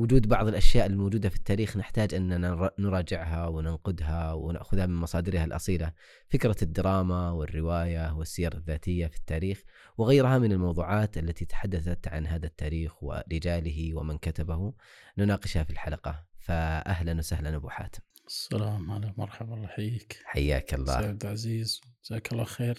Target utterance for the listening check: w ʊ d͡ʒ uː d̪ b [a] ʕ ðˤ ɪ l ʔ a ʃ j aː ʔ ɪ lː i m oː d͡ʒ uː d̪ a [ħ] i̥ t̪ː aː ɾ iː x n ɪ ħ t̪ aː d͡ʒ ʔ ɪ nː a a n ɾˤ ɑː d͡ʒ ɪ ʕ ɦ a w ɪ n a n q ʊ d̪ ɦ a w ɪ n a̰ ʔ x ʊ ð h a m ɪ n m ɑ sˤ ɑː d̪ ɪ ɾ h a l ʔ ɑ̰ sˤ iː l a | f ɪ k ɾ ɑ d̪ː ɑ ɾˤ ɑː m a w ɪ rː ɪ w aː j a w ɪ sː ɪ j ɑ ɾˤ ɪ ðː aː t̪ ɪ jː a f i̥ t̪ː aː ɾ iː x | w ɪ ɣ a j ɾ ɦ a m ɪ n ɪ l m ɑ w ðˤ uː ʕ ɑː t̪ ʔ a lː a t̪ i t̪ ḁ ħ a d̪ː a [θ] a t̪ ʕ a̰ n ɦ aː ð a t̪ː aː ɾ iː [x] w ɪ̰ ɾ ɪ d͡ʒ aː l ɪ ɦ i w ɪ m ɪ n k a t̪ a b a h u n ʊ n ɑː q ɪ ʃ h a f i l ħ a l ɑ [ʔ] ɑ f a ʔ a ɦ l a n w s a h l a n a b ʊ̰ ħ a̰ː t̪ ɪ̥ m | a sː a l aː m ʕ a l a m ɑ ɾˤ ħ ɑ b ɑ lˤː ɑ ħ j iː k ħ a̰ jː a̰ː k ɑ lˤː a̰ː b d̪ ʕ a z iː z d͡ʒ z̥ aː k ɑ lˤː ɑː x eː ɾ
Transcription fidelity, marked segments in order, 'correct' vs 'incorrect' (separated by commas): incorrect, incorrect, correct, correct, incorrect